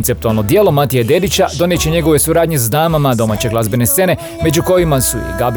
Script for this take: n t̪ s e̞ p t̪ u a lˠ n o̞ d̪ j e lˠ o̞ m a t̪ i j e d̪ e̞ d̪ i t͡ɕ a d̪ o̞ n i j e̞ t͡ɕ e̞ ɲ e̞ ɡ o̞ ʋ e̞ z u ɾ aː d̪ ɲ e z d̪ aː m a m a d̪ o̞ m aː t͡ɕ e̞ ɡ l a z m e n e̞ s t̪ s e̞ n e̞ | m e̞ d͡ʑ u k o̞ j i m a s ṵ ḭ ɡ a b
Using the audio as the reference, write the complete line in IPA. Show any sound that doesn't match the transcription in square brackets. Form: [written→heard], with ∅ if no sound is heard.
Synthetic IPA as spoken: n t̪ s e̞ p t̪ u a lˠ n o̞ d̪ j e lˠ o̞ m a t̪ i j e d̪ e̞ d̪ i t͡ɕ a d̪ o̞ n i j e̞ t͡ɕ e̞ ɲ e̞ ɡ o̞ ʋ e̞ [z→s] u ɾ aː d̪ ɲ e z d̪ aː m a m a d̪ o̞ m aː t͡ɕ e̞ ɡ l a z [m→b] e n e̞ s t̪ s e̞ n e̞ | m e̞ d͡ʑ u k o̞ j i m a s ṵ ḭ ɡ a b